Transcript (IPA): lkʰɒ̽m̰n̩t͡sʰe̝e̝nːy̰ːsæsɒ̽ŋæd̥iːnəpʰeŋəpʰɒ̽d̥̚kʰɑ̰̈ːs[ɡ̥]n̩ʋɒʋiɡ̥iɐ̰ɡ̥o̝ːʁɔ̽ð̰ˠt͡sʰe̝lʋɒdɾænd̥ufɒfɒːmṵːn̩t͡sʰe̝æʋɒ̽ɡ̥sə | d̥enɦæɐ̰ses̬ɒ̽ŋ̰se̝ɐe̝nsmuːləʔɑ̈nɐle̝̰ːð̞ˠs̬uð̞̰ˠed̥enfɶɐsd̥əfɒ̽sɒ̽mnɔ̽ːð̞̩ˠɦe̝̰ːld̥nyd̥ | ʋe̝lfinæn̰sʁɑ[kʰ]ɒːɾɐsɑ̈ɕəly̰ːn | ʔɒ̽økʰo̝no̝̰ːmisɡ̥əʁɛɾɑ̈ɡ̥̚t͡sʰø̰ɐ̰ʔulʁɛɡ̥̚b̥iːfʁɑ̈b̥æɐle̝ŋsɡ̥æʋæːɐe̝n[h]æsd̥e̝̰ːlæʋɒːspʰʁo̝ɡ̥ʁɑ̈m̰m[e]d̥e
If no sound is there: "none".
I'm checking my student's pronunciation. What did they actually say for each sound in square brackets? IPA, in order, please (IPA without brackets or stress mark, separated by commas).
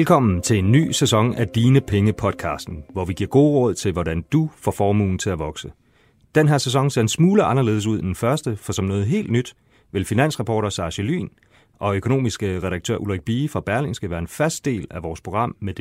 d̥, pʰ, f, e